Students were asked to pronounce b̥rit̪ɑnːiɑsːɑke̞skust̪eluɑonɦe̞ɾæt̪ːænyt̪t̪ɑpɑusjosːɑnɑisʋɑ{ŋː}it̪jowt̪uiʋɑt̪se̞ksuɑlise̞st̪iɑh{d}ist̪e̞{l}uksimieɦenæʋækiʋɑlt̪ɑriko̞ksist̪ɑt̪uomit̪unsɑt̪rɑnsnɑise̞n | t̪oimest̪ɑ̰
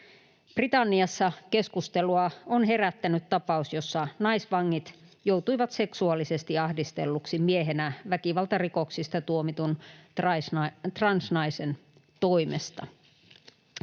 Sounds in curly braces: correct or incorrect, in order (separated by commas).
correct, correct, incorrect